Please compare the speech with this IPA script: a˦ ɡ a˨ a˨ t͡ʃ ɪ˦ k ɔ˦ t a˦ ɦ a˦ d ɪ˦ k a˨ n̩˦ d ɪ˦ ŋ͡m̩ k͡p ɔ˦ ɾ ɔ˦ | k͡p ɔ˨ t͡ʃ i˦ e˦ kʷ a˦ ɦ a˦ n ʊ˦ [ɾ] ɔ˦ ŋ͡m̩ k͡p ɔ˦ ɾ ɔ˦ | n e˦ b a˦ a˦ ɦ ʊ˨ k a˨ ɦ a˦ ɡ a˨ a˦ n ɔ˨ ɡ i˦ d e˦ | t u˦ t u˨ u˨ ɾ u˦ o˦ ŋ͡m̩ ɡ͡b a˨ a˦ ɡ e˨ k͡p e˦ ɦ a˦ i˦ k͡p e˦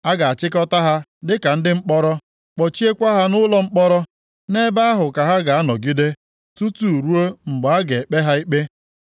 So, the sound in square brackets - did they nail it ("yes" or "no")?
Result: no